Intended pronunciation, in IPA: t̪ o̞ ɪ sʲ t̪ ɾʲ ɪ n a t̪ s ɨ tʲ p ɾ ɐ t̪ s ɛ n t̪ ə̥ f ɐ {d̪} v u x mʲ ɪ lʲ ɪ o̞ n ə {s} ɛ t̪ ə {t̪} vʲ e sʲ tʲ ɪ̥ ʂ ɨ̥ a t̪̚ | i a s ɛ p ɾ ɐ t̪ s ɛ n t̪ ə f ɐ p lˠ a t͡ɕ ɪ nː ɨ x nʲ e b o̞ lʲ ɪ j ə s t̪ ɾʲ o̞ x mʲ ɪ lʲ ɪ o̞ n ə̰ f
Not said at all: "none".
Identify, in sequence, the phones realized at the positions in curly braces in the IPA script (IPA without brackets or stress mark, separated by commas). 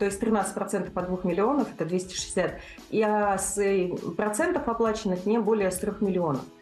d̪, f, d̪